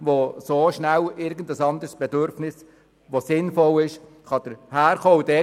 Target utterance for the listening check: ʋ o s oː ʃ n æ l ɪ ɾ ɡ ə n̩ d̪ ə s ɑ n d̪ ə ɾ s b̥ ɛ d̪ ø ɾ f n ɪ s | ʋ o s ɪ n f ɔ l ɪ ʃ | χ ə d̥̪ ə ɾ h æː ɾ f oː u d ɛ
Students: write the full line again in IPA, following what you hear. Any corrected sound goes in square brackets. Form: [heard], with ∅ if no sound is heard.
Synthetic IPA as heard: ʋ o s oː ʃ n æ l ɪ ɾ ɡ ə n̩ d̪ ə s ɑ n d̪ ə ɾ s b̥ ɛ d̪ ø ɾ f n ɪ s | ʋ o s ɪ n f ɔ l ɪ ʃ | χ [ɑ] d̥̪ ə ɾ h æː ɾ [χ] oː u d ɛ